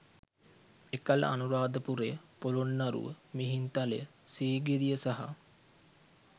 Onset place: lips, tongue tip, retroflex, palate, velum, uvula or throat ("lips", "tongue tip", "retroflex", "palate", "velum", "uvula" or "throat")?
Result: velum